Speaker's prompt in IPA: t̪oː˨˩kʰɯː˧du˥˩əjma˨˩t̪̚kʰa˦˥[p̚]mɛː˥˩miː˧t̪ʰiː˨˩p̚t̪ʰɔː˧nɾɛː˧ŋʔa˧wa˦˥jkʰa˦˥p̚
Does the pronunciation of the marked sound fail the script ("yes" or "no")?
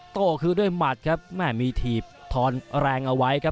no